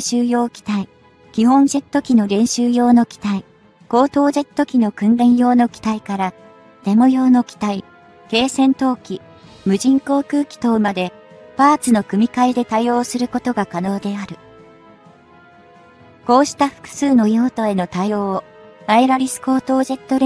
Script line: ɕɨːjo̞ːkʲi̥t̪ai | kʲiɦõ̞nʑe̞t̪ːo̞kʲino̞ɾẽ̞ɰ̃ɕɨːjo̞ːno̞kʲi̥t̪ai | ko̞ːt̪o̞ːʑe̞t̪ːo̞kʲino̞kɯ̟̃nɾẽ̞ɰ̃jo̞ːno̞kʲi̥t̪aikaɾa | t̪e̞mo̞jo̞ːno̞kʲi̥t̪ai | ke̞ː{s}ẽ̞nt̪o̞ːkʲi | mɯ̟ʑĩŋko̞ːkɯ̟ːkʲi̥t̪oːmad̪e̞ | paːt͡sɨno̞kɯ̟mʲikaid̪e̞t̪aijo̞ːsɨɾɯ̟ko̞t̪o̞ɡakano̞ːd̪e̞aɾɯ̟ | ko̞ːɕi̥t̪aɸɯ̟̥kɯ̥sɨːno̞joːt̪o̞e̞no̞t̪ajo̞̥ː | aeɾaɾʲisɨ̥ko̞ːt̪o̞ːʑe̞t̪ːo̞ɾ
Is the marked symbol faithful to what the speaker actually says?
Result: yes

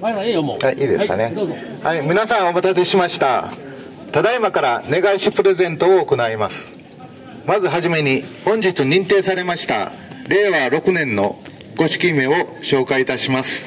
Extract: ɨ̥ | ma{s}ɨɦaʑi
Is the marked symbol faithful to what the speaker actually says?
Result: no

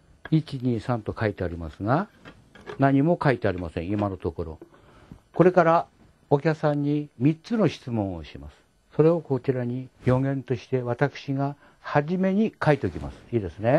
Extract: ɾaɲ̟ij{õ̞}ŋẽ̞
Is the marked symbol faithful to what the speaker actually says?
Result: no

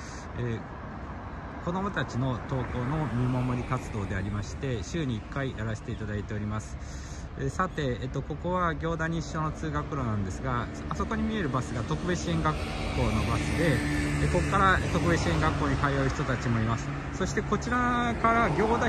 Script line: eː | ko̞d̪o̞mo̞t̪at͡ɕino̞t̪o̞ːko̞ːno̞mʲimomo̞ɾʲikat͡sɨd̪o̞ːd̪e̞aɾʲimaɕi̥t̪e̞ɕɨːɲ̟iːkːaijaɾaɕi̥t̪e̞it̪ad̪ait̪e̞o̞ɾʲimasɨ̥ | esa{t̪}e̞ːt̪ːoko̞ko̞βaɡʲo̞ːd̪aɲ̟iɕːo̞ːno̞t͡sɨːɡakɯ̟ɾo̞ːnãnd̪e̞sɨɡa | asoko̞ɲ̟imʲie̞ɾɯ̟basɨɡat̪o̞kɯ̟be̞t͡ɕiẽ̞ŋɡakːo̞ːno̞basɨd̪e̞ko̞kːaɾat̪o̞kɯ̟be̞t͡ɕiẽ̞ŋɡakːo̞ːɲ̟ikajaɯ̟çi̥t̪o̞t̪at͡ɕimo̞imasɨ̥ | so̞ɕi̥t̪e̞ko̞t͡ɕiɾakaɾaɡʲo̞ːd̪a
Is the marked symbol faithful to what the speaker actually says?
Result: yes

